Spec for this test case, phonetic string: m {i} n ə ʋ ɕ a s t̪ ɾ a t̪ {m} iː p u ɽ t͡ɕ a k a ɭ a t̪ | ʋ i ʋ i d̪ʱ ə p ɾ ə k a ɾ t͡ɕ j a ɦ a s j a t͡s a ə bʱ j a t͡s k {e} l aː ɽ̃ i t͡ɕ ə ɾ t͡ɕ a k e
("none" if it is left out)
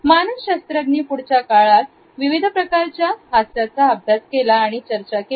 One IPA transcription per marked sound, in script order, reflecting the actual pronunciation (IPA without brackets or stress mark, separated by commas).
a, n, e